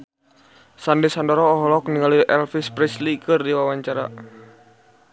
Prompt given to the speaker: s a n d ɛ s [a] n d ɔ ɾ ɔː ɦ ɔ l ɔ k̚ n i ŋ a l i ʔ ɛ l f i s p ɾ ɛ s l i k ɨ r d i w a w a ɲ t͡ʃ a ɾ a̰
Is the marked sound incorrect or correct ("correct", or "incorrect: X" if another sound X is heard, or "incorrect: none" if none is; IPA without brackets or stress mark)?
correct